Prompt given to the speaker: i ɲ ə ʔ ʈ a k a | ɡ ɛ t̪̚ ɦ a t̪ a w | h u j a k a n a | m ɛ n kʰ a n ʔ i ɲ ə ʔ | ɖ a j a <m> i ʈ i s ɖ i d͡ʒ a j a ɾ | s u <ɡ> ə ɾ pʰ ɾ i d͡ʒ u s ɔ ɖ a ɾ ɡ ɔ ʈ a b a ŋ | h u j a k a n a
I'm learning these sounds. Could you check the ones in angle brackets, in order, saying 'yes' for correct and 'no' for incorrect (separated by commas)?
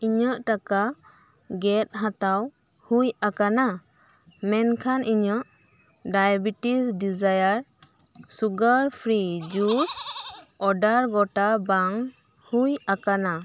no, yes